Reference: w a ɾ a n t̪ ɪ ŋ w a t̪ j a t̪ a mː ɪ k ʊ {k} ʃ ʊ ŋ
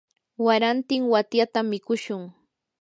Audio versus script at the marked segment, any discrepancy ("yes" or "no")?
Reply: yes